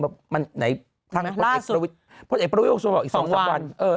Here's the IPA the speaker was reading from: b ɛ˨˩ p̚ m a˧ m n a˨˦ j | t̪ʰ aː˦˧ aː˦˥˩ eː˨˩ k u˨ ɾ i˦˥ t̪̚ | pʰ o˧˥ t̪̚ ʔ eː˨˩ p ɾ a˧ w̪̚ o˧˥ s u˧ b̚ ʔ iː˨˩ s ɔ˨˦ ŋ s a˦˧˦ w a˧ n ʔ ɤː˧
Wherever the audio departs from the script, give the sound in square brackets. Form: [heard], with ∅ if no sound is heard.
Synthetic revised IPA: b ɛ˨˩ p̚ m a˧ [n] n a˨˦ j | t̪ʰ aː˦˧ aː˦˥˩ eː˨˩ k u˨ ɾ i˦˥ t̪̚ | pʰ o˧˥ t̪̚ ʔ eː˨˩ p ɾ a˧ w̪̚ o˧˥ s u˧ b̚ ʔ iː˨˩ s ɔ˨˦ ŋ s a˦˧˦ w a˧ n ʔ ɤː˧